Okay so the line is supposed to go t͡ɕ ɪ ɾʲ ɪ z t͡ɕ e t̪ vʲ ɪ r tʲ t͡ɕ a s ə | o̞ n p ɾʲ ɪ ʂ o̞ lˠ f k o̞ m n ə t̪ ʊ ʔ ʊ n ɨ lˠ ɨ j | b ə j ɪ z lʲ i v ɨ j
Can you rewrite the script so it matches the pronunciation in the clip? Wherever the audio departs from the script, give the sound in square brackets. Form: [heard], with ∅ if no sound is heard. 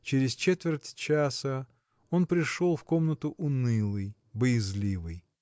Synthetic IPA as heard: t͡ɕ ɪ ɾʲ ɪ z t͡ɕ e t̪ vʲ ɪ r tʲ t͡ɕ a s ə | o̞ n p ɾʲ ɪ ʂ o̞ lˠ f k o̞ m n ə t̪ ʊ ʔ ʊ n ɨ lˠ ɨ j | b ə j ɪ z lʲ i v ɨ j